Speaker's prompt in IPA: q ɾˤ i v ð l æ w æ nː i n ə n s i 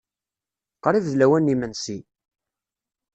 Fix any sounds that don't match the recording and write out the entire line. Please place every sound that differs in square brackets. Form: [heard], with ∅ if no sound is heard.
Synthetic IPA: q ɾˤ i v ð l æ w æ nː i [m] ə n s i